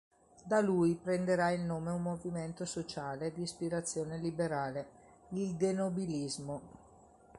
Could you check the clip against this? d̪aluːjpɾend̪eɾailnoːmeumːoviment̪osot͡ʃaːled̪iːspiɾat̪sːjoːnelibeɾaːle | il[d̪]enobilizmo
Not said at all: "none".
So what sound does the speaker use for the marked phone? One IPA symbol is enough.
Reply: d̪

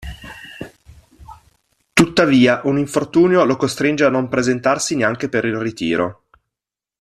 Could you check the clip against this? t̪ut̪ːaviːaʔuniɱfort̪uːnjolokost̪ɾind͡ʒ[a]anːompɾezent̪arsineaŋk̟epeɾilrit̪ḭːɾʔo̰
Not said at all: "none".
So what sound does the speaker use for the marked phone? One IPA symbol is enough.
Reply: e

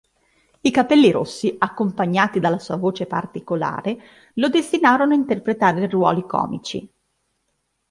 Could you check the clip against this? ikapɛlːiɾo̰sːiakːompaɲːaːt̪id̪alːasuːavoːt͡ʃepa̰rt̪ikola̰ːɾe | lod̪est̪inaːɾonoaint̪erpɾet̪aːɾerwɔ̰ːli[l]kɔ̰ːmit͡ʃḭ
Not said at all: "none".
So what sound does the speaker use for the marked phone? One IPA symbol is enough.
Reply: none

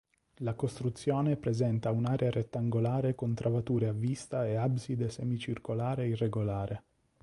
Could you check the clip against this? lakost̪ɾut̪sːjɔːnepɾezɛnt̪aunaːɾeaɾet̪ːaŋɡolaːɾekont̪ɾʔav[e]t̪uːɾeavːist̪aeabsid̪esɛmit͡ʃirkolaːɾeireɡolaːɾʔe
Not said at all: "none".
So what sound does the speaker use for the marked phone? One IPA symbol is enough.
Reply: a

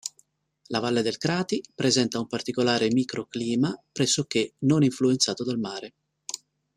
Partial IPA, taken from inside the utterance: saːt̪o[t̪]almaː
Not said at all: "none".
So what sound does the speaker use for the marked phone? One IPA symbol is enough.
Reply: d̪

